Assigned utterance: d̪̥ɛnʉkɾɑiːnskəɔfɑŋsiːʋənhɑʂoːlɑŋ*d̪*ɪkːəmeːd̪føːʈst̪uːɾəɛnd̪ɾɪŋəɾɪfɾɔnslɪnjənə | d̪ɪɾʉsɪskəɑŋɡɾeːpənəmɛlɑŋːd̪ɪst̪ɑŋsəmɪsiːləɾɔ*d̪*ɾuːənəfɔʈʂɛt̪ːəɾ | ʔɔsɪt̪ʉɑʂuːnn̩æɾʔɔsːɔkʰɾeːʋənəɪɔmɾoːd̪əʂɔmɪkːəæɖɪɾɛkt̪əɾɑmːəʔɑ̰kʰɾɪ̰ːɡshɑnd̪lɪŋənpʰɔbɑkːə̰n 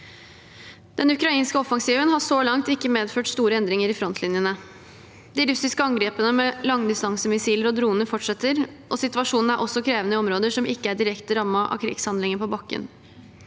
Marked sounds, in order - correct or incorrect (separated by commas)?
incorrect, correct